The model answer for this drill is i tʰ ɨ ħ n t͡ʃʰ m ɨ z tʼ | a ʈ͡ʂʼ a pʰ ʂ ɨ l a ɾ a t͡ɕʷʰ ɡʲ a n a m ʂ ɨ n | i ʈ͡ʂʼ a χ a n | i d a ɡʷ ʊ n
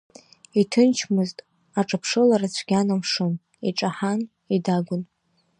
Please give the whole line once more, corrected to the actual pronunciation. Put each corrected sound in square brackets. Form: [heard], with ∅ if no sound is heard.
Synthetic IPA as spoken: i tʰ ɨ [∅] n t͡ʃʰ m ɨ z tʼ | a ʈ͡ʂʼ a pʰ ʂ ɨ l a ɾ a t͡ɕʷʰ ɡʲ a n a m ʂ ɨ n | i ʈ͡ʂʼ a [ħ] a n | i d a ɡʷ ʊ n